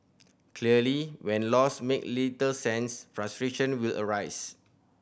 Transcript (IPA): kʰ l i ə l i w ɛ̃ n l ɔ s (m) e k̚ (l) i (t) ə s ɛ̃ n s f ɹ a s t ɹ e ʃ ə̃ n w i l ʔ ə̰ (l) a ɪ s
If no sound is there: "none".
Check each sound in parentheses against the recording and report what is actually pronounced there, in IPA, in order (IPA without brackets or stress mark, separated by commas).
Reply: m, l, t, ɹ